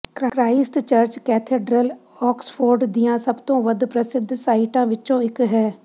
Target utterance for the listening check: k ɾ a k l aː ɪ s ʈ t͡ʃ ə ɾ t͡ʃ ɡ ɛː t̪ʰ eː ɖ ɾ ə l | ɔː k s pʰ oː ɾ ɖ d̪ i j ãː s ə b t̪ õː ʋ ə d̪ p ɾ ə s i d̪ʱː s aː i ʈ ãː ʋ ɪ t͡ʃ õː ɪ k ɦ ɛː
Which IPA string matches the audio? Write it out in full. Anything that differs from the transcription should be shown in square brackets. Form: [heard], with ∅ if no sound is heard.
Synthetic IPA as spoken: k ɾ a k [ɾ] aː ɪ s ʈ t͡ʃ ə ɾ t͡ʃ [k] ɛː t̪ʰ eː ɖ ɾ ə l | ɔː k s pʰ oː ɾ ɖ d̪ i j ãː s ə b t̪ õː ʋ ə d̪ p ɾ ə s [ɪ] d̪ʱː s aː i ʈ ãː ʋ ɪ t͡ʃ õː ɪ k ɦ ɛː